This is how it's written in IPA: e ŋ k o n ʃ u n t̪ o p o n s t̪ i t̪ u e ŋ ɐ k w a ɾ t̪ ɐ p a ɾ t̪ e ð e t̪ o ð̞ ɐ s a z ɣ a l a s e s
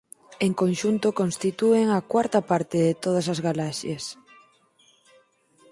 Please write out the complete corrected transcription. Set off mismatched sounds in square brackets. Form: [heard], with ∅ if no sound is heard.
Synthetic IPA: e ŋ k o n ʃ u n t̪ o [k] o n s t̪ i t̪ u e ŋ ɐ k w a ɾ t̪ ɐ p a ɾ t̪ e ð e t̪ o ð̞ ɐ s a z ɣ a l a [ʃ] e s